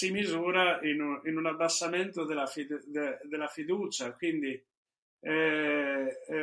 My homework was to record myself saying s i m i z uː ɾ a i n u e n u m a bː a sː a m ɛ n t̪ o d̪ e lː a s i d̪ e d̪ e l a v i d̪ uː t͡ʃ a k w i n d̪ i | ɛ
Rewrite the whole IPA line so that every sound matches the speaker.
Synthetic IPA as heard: s i m i z uː ɾ a i n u i n u n a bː a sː a m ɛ n t̪ o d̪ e l a f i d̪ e d̪ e l a f i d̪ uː t͡ʃ a k w i n d̪ i | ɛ